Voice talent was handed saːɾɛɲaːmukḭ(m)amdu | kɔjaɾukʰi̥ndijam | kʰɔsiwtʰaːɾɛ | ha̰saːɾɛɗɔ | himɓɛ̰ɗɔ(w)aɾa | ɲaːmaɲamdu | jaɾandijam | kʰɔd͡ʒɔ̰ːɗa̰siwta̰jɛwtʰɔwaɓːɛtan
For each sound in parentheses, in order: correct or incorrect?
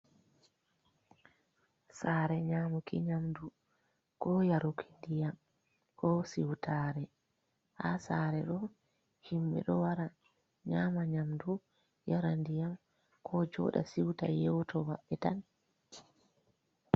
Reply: incorrect, correct

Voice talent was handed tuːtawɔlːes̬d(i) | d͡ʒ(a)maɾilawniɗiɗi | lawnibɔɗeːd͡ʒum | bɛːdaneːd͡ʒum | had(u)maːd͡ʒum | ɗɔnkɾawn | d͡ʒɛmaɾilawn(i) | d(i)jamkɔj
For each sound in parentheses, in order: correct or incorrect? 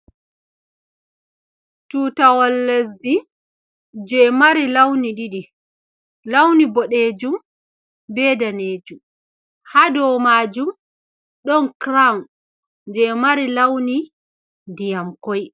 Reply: correct, incorrect, incorrect, correct, correct

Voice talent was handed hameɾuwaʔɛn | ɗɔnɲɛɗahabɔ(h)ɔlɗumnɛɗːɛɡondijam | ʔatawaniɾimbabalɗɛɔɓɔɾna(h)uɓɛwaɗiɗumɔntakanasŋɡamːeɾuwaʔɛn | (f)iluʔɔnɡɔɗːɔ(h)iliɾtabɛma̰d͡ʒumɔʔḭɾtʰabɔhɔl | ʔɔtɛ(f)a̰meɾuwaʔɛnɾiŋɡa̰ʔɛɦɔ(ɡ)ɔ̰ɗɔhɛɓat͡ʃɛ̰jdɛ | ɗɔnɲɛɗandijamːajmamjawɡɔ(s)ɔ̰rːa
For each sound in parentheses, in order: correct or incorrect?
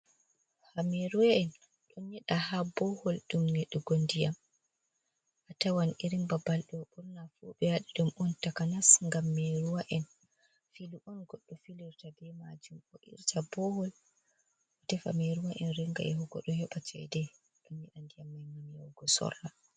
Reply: correct, incorrect, correct, incorrect, correct, correct, correct

